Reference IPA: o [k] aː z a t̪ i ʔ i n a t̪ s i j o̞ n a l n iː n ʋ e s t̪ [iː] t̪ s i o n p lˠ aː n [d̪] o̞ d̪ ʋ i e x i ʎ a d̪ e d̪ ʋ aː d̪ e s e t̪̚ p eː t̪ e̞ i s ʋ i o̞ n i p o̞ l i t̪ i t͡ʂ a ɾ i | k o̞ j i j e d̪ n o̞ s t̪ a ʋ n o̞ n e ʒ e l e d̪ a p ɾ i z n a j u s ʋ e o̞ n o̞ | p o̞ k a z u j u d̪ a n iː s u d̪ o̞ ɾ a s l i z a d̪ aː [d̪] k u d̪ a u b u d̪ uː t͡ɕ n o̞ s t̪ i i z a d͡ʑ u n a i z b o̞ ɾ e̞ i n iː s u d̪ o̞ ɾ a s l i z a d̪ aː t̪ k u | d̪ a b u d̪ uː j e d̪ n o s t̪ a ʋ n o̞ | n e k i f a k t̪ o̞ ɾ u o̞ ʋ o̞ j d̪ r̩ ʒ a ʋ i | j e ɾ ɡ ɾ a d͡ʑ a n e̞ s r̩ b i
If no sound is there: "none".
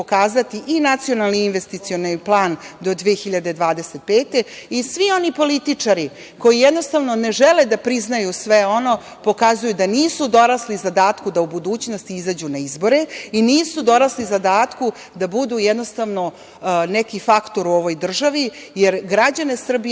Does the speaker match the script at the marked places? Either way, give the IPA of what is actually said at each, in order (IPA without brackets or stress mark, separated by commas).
k, i, d̪, t̪